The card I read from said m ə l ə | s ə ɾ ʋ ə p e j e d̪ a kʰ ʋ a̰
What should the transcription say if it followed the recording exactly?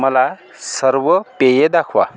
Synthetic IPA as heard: m ə l a | s ə ɾ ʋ ə p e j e d̪ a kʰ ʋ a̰

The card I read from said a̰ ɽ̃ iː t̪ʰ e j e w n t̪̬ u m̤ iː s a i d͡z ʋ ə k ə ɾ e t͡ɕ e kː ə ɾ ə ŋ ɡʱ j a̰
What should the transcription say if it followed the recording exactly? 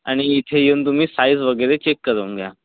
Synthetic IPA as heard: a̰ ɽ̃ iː t̪ʰ e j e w n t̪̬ u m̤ iː s a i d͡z ʋ ə ɡ ə ɾ e t͡ɕ e kː ə ɾ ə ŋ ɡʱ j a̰

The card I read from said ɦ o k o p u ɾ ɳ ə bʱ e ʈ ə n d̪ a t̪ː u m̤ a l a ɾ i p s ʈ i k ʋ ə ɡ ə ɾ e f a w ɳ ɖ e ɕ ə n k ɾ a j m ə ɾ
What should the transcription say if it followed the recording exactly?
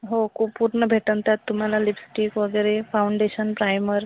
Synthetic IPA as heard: ɦ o k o p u ɾ ɳ ə bʱ e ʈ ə n t̪ a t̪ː u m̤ a l a l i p s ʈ i k ʋ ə ɡ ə ɾ e f a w ɳ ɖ e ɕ ə n p ɾ a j m ə ɾ

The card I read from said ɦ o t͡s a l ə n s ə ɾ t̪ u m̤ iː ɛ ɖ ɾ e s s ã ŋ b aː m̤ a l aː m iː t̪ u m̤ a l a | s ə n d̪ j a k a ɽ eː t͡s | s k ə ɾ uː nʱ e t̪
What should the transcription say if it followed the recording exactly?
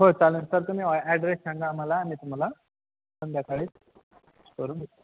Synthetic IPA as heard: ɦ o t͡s a l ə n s ə ɾ t̪ u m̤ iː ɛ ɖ ɾ e s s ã ŋ ɡ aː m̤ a l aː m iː t̪ u m̤ a l a | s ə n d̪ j a k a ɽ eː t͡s | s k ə ɾ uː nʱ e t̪

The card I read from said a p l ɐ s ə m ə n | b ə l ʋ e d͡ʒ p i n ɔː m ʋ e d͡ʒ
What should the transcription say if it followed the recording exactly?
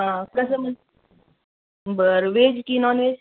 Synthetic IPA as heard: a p ɾ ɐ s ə m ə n | b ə ɾ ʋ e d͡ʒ k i n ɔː n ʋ e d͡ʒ

